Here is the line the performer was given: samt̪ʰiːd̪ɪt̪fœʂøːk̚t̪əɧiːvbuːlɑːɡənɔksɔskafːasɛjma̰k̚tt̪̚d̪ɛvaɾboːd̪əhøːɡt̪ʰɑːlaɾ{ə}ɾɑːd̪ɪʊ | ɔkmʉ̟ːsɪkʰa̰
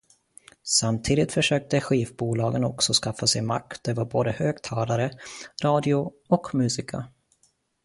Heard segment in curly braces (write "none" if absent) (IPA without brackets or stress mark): ə